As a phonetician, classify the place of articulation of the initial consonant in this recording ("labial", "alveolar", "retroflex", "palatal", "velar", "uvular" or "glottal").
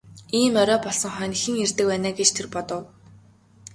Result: labial